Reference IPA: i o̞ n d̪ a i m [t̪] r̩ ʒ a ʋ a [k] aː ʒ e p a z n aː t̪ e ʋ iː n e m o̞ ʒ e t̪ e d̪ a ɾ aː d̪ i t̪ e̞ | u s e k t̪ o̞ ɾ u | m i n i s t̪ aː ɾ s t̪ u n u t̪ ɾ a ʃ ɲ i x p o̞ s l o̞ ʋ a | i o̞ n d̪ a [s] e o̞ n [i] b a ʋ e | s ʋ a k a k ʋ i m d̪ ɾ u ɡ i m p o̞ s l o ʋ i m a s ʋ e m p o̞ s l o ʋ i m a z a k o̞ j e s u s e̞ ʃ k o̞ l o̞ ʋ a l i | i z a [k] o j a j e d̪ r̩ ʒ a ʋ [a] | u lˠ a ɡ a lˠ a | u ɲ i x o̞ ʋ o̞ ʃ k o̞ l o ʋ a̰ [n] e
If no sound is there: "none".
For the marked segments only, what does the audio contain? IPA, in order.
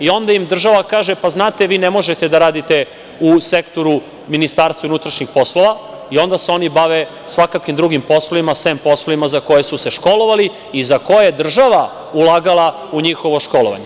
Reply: d̪, k, s, i, k, a, ɲ

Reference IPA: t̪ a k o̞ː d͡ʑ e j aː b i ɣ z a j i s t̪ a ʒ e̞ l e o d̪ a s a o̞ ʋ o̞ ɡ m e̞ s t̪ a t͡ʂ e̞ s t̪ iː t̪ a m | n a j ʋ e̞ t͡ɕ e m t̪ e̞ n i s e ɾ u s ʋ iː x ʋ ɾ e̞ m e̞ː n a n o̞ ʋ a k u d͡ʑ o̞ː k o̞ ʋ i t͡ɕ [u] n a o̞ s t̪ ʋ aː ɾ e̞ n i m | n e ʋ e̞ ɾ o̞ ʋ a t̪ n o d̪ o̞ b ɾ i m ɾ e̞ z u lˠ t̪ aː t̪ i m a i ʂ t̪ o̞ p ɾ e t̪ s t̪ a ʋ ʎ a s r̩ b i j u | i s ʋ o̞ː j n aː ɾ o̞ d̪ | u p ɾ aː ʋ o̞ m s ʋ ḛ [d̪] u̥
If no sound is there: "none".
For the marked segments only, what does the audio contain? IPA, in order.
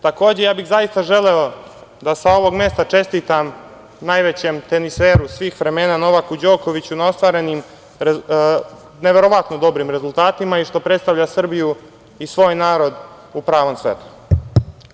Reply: u, t̪

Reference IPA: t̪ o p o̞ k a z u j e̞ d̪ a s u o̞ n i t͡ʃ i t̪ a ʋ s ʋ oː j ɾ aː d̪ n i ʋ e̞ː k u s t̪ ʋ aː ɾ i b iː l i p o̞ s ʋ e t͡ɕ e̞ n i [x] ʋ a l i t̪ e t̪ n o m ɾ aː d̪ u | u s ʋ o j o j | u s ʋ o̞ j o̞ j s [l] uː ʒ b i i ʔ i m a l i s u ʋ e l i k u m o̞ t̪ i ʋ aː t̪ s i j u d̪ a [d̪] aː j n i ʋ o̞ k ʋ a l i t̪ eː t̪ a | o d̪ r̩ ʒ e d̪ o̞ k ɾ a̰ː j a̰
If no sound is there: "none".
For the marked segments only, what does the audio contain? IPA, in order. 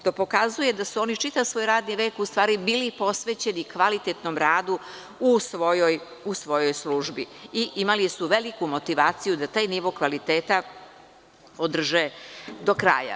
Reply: k, l, t̪

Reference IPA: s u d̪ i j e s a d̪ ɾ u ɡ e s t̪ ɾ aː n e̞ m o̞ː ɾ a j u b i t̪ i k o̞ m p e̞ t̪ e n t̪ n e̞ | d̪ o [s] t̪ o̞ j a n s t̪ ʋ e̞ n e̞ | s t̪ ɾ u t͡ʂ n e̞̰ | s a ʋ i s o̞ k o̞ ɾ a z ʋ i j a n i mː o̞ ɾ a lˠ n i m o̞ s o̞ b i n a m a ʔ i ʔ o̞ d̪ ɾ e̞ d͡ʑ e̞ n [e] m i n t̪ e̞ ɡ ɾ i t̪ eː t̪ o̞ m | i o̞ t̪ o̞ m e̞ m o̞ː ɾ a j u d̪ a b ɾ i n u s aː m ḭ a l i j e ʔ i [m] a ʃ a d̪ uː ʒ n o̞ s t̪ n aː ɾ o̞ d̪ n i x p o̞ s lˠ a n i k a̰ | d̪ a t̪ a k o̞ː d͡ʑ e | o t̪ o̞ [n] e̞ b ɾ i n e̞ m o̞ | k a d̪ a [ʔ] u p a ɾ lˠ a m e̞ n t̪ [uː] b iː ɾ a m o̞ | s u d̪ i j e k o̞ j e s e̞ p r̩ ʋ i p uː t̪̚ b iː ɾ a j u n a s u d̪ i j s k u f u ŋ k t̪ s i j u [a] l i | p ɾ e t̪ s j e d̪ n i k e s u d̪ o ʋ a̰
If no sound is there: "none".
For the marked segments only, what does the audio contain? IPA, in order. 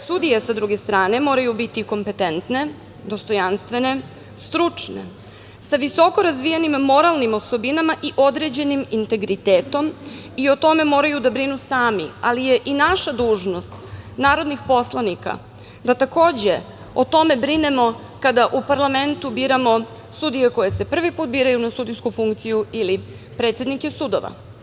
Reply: s, i, n, m, ʔ, u, i

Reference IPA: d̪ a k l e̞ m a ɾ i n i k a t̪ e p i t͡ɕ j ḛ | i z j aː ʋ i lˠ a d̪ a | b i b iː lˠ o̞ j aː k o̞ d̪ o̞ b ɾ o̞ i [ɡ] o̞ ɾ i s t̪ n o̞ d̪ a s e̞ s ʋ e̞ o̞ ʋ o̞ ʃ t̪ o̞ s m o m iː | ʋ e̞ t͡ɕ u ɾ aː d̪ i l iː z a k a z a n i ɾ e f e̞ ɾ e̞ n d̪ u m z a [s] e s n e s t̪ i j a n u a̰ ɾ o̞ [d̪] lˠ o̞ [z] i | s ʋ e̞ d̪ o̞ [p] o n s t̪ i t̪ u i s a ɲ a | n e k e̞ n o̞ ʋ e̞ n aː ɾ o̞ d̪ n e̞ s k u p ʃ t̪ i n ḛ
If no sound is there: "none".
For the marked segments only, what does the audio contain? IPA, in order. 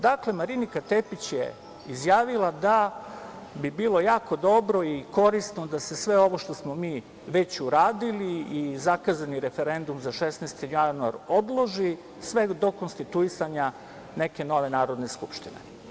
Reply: k, ʃ, d̪, ʒ, k

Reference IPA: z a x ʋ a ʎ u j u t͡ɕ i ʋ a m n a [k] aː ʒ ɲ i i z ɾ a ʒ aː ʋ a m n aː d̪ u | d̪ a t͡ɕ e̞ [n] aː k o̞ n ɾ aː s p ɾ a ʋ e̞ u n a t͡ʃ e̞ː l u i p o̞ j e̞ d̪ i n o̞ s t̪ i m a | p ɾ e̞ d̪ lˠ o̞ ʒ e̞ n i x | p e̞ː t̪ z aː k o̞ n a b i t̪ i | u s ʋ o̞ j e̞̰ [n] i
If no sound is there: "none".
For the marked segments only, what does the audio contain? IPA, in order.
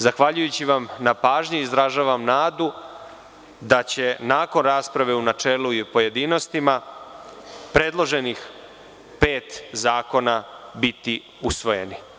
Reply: p, n, n

